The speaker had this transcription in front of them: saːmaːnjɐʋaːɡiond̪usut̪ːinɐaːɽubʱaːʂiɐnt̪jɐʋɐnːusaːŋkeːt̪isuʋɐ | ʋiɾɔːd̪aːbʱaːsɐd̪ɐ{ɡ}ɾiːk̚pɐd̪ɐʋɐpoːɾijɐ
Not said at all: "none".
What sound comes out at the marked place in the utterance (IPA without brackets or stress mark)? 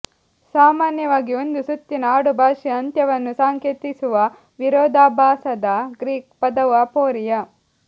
ɡ